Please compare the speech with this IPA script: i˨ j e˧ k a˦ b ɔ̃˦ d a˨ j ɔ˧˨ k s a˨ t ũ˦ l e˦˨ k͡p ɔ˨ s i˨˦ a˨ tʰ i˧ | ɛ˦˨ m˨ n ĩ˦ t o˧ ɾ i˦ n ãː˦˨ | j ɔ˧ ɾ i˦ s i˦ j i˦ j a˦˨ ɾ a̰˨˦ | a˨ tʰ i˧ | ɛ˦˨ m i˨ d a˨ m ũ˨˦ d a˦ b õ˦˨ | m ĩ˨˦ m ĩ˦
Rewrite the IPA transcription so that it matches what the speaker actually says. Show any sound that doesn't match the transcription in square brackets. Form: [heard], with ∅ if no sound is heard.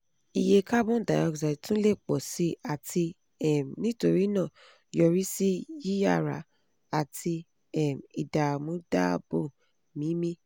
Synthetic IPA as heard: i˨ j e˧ k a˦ b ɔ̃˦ d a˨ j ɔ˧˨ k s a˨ t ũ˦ l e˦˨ k͡p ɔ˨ s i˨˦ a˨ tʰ i˧ | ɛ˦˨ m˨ n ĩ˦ t o˧ ɾ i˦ n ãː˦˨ | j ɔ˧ ɾ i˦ s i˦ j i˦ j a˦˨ ɾ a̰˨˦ | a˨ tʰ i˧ | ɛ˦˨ m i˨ d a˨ m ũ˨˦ d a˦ b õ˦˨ | m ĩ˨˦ m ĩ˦